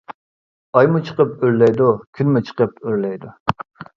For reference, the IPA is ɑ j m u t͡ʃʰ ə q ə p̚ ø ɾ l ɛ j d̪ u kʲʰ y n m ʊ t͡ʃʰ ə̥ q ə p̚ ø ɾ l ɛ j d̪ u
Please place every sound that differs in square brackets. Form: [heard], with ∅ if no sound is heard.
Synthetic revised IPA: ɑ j m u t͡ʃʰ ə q ə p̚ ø ɾ l ɛ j d̪ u kʲʰ y n m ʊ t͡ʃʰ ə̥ q ə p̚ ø ɾ l ɛ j d̪ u